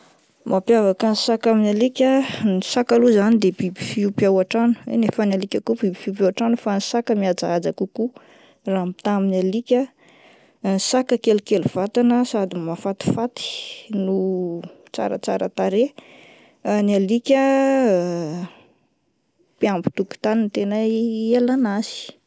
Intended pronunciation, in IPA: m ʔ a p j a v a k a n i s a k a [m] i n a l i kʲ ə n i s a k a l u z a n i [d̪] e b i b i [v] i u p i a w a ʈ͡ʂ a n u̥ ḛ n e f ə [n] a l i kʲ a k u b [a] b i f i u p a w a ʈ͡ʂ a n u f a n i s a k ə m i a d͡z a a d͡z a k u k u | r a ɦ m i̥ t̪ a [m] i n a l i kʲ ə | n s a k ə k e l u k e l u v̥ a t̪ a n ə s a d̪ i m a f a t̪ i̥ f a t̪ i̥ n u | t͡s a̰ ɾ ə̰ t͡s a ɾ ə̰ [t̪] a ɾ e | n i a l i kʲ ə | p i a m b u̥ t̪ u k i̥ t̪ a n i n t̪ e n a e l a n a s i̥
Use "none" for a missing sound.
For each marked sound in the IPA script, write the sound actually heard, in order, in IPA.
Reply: m, d̪, f, n, i, m, t̪

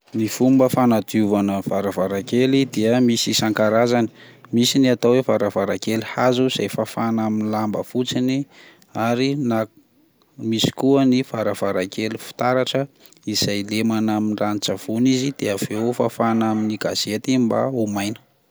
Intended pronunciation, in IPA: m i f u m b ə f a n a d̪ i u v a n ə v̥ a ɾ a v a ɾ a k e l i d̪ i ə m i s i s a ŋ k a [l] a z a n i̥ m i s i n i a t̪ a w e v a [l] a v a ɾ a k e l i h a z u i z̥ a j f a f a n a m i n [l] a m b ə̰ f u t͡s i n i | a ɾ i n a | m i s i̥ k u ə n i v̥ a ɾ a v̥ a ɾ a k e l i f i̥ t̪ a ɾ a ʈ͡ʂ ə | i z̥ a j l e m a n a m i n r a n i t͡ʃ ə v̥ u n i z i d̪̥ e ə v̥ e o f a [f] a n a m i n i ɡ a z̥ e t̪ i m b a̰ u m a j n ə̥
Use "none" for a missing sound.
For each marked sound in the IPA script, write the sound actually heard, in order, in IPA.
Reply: ɾ, ɾ, l, f

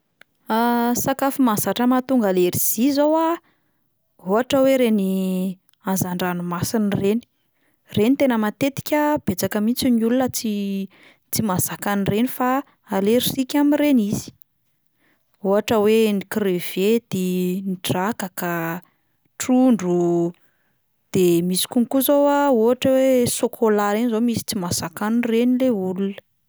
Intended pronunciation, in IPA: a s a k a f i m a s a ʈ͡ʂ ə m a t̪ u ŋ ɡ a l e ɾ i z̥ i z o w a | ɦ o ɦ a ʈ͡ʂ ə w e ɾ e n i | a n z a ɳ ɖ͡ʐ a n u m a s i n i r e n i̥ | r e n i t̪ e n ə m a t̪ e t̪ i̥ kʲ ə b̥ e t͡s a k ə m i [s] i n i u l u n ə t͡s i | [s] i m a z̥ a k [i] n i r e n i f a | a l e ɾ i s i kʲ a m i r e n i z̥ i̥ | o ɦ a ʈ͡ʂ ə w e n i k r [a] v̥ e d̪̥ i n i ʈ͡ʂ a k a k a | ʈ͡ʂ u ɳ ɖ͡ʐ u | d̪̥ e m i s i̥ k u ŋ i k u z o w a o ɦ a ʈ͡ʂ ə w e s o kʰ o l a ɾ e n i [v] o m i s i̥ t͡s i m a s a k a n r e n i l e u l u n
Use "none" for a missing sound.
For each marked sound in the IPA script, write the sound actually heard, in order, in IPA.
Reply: t͡s, t͡s, a, e, z

